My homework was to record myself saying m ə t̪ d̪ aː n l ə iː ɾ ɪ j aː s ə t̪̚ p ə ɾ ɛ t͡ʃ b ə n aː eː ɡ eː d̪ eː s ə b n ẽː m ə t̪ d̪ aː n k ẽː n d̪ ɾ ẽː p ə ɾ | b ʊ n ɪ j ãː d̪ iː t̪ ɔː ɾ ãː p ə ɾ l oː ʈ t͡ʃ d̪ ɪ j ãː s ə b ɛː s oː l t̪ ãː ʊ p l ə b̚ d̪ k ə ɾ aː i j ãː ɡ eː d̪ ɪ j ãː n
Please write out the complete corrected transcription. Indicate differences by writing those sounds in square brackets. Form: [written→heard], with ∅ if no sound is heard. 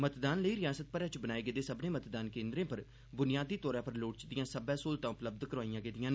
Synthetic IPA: m ə t̪ d̪ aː n l ə iː ɾ ɪ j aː s ə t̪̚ p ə ɾ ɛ t͡ʃ b ə n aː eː ɡ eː d̪ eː s ə b n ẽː m ə t̪ d̪ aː n k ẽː n d̪ ɾ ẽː p ə ɾ | b ʊ n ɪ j [ãː→aː] d̪ iː t̪ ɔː ɾ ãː p ə ɾ l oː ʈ t͡ʃ d̪ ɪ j ãː s ə b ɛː s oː l t̪ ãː ʊ p l ə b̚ d̪ k ə ɾ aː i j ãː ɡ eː d̪ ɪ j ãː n